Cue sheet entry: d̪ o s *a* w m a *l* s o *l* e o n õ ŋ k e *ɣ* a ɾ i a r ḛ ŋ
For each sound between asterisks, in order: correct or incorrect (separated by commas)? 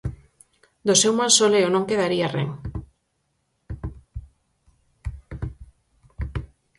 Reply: incorrect, correct, correct, incorrect